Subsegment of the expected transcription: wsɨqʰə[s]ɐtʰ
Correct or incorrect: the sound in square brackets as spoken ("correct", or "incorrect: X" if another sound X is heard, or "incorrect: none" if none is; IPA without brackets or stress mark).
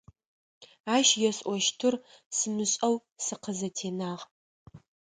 incorrect: z